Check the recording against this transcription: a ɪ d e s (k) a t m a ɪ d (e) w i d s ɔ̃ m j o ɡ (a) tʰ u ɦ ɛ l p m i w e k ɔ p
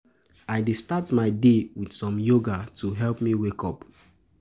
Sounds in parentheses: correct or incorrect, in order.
incorrect, correct, correct

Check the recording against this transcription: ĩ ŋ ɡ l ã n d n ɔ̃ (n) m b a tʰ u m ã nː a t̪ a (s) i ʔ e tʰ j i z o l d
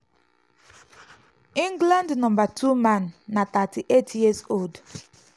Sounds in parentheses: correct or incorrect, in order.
incorrect, incorrect

